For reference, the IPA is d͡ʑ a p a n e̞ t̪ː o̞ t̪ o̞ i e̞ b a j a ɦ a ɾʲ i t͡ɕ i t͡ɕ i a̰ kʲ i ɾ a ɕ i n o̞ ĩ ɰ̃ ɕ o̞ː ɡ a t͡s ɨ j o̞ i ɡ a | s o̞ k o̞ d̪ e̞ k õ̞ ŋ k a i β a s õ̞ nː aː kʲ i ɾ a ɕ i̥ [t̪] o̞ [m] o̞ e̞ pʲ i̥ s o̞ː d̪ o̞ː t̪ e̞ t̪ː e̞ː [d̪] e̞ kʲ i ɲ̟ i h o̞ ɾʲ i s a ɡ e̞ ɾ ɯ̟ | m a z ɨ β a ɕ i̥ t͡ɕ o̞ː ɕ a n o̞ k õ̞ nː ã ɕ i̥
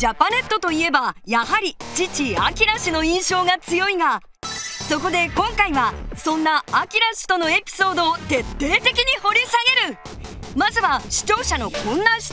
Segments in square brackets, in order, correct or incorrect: correct, incorrect: n, incorrect: t̪

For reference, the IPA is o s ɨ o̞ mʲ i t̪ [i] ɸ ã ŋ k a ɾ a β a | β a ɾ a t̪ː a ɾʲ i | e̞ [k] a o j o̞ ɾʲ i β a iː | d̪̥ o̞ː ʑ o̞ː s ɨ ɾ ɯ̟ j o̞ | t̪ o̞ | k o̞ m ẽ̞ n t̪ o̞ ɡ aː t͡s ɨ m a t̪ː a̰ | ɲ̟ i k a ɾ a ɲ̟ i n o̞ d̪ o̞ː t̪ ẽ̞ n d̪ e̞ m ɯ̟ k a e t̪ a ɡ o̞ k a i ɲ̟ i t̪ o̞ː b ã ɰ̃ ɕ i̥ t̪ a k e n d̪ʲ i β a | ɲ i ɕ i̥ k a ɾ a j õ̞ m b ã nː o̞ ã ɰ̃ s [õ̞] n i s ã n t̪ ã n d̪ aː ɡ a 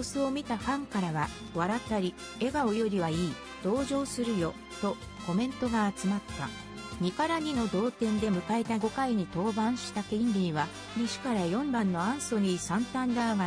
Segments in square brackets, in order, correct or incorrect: incorrect: a, incorrect: ɡ, incorrect: o̞

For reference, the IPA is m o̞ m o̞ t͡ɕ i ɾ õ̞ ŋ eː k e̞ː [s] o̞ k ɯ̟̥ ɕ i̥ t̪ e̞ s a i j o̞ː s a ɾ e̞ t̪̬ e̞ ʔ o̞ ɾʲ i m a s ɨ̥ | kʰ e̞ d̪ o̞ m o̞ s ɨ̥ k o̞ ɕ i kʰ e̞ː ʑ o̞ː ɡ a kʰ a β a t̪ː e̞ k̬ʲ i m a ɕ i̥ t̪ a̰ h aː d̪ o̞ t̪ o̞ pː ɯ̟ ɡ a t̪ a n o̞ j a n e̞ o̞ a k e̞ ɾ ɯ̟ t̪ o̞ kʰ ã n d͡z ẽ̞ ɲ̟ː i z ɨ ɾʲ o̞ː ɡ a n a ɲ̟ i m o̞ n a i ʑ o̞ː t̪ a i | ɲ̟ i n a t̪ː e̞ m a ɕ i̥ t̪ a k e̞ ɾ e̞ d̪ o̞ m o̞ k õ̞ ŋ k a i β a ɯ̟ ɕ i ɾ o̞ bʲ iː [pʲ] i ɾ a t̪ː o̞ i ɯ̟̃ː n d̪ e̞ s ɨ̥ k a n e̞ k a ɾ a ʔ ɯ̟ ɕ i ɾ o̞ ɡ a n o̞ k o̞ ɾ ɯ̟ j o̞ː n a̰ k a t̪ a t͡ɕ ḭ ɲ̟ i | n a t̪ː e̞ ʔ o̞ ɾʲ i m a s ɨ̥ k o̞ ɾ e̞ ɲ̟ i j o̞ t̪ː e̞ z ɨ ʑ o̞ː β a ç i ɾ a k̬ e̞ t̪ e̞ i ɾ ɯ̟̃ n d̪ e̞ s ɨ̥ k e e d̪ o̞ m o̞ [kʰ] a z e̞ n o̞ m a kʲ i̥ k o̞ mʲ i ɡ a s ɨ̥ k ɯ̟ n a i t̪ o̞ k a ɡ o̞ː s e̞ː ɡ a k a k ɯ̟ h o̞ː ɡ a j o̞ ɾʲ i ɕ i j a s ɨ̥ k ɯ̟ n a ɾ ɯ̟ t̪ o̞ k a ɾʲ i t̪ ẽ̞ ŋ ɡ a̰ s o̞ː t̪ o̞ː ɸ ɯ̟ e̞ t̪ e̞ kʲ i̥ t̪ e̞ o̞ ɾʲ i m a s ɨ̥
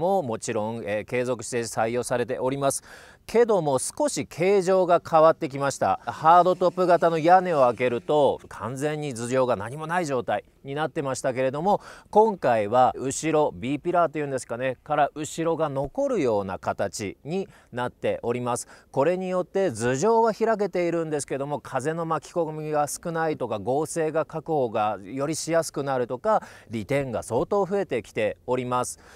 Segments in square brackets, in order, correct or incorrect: incorrect: z, correct, correct

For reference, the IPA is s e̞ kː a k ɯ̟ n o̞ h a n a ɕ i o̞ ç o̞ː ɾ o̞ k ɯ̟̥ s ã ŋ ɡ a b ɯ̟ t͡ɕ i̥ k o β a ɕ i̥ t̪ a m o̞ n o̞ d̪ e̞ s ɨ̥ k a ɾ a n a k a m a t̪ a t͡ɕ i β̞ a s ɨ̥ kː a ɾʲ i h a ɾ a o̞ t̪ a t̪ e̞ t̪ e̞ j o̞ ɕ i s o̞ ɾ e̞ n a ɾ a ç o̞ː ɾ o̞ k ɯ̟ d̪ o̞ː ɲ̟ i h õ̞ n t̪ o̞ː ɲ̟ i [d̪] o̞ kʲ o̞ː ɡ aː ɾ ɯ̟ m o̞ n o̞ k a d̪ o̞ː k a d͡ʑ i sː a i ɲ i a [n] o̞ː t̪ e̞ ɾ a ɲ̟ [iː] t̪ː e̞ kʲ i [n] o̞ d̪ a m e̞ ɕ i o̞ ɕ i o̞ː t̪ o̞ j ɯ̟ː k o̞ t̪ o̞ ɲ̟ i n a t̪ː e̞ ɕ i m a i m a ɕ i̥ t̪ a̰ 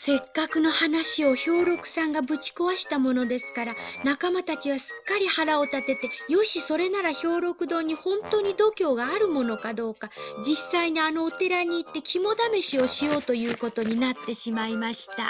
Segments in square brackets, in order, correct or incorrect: correct, correct, correct, incorrect: m

